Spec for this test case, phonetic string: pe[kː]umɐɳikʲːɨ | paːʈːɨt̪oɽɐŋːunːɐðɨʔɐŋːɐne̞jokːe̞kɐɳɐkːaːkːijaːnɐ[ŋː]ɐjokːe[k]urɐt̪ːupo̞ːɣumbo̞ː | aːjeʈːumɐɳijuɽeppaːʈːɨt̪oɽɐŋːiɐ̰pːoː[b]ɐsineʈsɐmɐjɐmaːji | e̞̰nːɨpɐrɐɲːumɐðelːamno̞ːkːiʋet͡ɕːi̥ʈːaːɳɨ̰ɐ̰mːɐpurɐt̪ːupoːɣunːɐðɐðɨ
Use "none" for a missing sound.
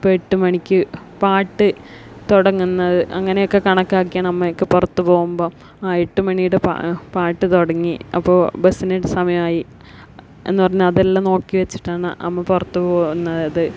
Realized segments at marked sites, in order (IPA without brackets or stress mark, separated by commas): ʈː, mː, p, b